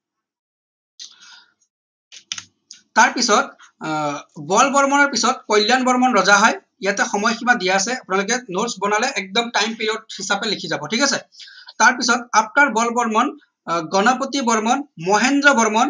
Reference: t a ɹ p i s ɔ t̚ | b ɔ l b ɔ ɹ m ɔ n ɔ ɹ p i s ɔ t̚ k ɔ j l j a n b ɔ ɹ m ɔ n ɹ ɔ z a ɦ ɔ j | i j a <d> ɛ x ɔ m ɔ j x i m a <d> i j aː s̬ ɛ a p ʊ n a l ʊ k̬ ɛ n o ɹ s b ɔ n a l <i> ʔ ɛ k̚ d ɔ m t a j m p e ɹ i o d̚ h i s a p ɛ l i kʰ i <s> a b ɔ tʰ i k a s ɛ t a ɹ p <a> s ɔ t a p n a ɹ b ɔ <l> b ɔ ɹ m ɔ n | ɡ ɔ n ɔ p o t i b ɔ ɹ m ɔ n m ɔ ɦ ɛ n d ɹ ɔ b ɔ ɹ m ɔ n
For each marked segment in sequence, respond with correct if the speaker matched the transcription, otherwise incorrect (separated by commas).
incorrect, correct, incorrect, incorrect, incorrect, correct